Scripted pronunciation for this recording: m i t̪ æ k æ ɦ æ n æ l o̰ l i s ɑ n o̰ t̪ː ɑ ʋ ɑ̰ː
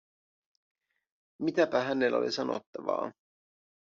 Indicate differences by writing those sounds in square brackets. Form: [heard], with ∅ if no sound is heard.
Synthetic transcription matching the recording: m i t̪ æ [p] æ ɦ æ n [e] l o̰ l i s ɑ n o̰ t̪ː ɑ ʋ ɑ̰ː